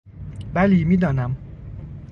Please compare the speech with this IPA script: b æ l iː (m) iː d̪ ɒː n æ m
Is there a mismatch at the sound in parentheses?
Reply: no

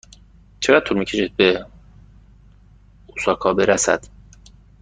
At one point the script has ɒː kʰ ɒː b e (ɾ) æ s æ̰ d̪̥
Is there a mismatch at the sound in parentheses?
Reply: no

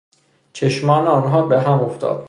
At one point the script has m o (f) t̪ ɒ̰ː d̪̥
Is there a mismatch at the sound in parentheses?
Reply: no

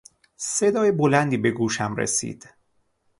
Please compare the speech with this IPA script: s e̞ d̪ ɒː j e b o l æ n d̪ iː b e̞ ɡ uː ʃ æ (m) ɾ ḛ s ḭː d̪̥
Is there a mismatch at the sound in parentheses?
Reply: no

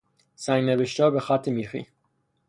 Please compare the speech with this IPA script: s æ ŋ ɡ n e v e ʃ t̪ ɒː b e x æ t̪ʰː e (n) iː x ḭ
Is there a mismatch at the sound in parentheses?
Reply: yes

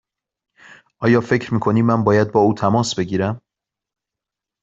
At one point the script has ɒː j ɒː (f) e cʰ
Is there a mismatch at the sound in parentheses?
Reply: no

